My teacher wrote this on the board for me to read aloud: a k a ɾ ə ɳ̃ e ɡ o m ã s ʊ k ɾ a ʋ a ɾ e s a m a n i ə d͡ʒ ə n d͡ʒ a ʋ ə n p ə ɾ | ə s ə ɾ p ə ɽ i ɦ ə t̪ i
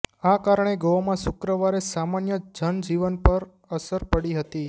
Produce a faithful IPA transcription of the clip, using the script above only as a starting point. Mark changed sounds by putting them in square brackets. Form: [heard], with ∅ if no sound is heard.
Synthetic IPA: a k a ɾ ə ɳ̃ e ɡ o m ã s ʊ k ɾ [ə] ʋ a ɾ e s a m a n [j] ə d͡ʒ ə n d͡ʒ [i] ʋ ə n p ə ɾ | ə s ə ɾ p ə ɽ i ɦ ə t̪ i